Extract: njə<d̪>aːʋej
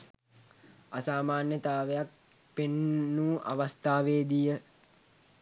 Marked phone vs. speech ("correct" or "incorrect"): incorrect